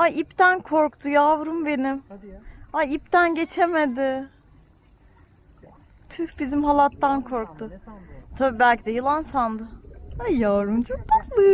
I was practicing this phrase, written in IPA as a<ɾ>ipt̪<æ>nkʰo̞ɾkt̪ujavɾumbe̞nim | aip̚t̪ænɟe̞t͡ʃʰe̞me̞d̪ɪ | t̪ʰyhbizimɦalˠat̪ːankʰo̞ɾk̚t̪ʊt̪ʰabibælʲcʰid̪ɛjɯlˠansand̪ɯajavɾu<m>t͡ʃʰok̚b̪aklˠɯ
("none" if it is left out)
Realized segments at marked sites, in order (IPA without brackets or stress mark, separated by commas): none, æ, m